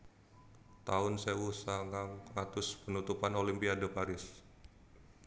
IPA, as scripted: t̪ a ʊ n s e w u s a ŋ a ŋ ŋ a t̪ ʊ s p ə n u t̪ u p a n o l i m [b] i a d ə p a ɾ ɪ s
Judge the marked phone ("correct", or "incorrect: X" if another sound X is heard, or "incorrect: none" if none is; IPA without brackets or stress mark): incorrect: p